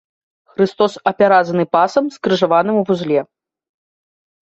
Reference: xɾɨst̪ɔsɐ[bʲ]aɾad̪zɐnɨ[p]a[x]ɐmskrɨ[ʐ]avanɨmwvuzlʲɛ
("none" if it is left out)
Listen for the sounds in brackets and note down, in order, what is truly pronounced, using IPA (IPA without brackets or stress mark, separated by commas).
pʲ, p, s, ʐ